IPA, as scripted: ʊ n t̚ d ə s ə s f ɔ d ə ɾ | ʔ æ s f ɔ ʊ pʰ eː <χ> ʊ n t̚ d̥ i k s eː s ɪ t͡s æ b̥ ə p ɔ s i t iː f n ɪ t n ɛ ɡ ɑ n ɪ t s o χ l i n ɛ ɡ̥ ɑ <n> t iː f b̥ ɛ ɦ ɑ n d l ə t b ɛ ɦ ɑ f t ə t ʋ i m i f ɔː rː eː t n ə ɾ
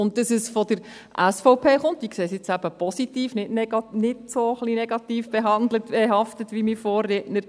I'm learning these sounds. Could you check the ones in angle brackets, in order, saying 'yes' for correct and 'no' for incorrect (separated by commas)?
yes, no